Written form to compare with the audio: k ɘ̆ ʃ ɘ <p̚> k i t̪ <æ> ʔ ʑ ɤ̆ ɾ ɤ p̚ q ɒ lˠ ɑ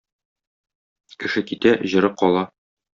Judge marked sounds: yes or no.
no, yes

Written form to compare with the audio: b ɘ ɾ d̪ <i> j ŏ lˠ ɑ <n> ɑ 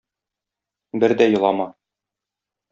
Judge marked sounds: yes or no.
no, no

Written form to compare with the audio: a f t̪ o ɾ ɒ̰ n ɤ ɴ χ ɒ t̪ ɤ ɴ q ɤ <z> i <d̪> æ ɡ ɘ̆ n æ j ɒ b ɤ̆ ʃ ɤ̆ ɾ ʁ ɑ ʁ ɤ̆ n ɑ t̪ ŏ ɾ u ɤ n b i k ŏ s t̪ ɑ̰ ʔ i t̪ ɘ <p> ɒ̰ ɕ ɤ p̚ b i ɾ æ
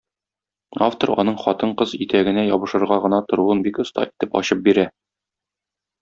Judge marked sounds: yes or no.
yes, no, yes

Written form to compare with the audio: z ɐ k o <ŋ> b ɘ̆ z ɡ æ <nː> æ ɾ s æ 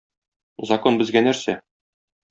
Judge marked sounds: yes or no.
no, no

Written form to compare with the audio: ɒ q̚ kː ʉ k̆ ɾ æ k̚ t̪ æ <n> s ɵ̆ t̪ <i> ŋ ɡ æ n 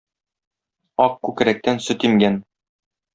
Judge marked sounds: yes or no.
yes, yes

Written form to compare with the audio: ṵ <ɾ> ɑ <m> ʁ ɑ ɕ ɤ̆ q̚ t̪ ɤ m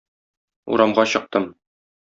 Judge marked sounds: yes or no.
yes, yes

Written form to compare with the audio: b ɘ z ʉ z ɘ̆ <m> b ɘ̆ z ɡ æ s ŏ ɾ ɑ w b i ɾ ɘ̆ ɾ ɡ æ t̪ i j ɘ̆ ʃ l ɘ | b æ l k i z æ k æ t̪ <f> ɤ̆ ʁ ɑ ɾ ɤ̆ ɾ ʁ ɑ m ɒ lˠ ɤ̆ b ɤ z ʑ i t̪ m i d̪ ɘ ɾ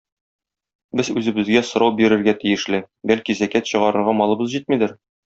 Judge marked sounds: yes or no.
no, no

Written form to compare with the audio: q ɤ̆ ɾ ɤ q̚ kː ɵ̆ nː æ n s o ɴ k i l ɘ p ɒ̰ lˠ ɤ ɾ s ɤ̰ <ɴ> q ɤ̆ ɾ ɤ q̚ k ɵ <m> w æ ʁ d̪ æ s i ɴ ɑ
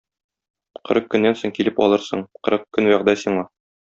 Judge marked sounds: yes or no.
yes, no

